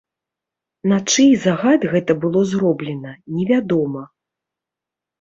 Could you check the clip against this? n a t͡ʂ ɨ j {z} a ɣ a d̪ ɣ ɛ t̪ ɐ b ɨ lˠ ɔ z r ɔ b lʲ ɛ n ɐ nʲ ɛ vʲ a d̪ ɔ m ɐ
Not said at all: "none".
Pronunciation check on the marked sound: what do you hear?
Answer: z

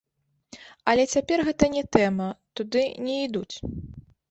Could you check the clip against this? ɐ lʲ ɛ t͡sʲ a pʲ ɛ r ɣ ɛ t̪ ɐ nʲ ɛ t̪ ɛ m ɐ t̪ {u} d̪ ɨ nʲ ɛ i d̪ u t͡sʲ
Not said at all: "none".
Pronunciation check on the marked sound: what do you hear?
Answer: u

